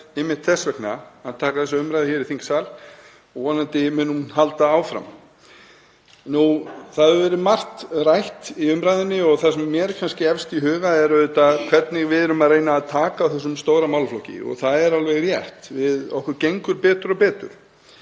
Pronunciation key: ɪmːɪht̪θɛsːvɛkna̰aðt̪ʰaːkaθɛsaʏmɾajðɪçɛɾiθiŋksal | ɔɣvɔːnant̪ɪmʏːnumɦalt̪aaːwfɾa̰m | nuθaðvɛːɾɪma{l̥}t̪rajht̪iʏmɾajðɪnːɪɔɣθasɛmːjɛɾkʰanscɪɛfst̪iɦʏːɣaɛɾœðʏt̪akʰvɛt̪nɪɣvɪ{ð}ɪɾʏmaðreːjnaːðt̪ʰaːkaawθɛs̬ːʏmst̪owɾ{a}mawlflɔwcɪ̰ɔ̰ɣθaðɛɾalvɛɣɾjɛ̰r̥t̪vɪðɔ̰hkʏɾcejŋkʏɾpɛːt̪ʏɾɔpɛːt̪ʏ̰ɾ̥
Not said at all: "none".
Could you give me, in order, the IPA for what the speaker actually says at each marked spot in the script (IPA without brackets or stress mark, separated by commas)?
r̥, ð, a